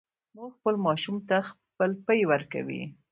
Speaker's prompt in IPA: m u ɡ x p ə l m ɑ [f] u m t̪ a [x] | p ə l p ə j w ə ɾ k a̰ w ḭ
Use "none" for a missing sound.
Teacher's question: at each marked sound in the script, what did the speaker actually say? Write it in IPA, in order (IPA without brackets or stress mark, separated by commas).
ʃ, x